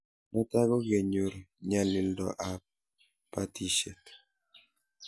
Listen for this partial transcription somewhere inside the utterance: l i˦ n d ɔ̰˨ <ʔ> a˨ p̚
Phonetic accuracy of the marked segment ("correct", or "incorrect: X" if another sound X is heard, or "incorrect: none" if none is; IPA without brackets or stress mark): correct